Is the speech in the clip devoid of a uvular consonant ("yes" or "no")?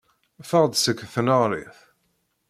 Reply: no